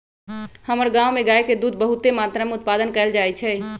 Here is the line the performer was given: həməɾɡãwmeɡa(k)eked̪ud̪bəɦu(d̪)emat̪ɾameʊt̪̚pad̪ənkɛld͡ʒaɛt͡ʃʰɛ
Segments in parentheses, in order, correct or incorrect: incorrect, incorrect

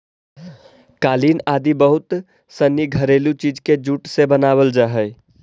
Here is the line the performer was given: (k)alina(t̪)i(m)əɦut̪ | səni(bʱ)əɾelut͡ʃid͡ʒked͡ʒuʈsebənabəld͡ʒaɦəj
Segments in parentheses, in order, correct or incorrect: correct, incorrect, incorrect, incorrect

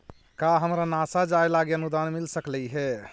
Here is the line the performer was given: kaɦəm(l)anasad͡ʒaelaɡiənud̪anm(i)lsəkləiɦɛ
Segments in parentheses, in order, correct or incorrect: incorrect, correct

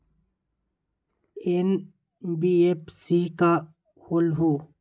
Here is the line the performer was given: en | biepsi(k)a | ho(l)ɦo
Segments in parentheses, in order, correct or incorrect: correct, correct

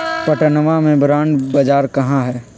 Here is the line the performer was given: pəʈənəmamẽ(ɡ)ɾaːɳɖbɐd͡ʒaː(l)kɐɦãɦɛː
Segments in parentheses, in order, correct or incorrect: incorrect, incorrect

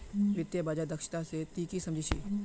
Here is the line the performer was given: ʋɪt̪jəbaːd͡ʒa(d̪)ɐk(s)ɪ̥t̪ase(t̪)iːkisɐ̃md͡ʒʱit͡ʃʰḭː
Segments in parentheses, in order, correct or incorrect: correct, incorrect, correct

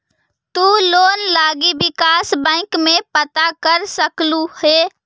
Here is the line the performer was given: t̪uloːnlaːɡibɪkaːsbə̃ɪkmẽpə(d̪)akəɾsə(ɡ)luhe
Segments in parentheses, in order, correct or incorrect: incorrect, incorrect

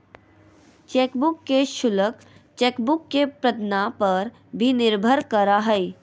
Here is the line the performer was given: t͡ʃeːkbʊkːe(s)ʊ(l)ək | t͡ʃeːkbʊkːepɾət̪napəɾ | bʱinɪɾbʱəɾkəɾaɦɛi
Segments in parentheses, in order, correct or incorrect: incorrect, correct

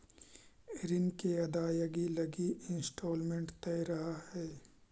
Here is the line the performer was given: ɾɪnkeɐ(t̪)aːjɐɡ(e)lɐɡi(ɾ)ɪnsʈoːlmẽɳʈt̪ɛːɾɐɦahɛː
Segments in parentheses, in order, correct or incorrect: incorrect, incorrect, incorrect

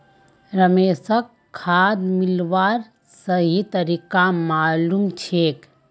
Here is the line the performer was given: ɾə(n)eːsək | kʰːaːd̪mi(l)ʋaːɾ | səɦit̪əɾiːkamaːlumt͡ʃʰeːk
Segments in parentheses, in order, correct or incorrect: incorrect, correct

